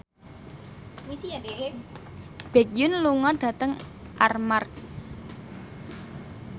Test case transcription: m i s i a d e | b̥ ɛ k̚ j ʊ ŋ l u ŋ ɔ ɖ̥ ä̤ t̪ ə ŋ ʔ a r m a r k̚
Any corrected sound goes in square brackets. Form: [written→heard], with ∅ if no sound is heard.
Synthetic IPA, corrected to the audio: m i s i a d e | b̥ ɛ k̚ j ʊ [ŋ→n] l u ŋ ɔ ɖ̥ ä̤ t̪ ə ŋ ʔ a r m a r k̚